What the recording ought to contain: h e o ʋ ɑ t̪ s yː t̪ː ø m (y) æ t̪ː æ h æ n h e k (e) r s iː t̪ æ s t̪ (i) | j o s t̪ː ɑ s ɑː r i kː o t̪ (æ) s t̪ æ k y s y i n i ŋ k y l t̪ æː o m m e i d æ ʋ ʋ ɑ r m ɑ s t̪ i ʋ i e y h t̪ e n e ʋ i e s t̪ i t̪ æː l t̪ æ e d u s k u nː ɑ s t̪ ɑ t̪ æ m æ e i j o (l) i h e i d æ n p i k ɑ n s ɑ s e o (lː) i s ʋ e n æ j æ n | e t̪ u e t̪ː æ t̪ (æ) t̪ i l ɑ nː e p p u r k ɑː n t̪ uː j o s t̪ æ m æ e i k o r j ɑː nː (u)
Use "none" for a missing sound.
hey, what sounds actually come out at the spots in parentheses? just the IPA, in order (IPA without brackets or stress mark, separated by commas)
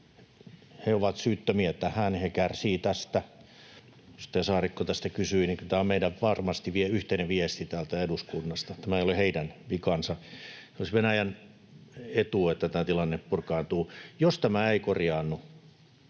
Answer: i, æ, æ, æ, l, l, æː, u